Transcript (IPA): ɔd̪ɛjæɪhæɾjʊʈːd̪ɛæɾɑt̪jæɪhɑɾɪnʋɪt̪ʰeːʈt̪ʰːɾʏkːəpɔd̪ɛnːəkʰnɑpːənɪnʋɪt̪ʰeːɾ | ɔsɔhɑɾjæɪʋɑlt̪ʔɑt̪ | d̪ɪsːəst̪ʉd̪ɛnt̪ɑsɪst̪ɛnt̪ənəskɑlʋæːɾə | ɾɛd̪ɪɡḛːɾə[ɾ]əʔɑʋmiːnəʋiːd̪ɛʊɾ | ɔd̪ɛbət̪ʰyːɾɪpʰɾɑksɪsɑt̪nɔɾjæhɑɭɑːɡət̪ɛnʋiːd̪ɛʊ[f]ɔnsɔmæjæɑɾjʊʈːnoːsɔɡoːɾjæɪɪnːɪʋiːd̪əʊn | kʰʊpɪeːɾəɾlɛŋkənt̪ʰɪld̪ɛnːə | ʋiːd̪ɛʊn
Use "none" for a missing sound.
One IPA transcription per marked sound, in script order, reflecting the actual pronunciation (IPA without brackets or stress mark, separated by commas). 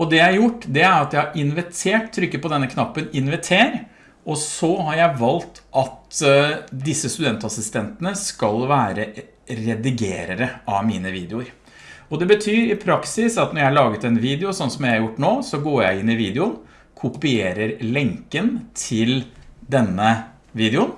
ɾ, s